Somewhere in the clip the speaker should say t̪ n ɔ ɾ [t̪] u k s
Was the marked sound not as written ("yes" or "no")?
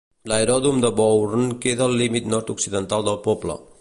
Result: no